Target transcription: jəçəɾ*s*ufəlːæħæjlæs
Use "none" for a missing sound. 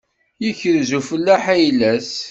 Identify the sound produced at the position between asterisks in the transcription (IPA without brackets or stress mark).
z